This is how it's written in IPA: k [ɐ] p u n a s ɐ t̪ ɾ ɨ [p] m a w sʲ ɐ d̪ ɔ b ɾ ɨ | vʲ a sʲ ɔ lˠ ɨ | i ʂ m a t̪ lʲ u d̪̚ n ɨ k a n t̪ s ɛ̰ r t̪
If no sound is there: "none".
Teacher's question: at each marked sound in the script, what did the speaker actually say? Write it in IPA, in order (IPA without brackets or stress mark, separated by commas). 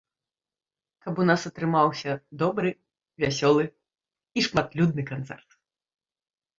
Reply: ɐ, none